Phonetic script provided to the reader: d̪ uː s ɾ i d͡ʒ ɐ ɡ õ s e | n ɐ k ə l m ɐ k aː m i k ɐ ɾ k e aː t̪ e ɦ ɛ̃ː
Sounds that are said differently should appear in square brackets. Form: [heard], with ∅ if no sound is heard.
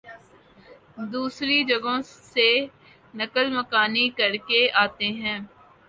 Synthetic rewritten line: d̪ uː s ɾ i d͡ʒ ɐ ɡ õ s e | n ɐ k ə l m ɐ k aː [n] i k ɐ ɾ k e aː t̪ e ɦ ɛ̃ː